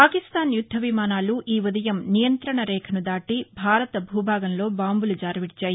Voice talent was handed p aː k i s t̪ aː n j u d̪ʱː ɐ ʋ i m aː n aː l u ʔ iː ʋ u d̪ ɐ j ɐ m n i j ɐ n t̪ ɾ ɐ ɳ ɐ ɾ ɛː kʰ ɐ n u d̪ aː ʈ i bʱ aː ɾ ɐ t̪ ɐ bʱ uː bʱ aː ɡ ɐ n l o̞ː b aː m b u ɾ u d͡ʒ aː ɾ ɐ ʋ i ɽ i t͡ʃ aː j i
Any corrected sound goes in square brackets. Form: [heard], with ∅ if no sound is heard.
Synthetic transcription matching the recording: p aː k i s t̪ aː n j u d̪ʱː ɐ ʋ i m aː n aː l u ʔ iː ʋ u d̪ ɐ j ɐ m n i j ɐ n t̪ ɾ ɐ ɳ ɐ ɾ ɛː kʰ ɐ n u d̪ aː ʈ i bʱ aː ɾ ɐ t̪ ɐ bʱ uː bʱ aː ɡ ɐ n l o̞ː b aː m b u [l] u d͡ʒ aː ɾ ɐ ʋ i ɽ i t͡ʃ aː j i

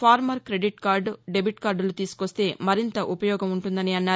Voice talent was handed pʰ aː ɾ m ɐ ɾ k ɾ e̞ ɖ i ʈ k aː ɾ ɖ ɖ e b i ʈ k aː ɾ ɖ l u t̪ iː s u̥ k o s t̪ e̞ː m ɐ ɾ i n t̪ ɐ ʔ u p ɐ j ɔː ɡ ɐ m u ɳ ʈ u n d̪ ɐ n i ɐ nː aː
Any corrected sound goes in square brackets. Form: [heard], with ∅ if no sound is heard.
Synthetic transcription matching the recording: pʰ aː ɾ m ɐ ɾ k ɾ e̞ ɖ i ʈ k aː ɾ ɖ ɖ e b i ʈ k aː ɾ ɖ l u t̪ iː s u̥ k o s t̪ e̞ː m ɐ ɾ i n t̪ ɐ ʔ u p ɐ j ɔː ɡ ɐ m u ɳ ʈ u n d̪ ɐ n i ɐ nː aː

